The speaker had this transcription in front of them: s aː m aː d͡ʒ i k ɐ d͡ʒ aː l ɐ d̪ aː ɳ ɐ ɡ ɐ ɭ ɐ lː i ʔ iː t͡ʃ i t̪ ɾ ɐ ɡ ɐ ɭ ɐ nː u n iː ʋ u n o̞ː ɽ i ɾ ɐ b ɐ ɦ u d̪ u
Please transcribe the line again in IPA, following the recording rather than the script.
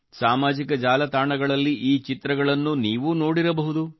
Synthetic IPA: s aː m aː d͡ʒ i k ɐ d͡ʒ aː l ɐ t̪ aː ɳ ɐ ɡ ɐ ɭ ɐ lː i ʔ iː t͡ʃ i t̪ ɾ ɐ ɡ ɐ ɭ ɐ nː u n iː ʋ u n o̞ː ɽ i ɾ ɐ b ɐ ɦ u d̪ u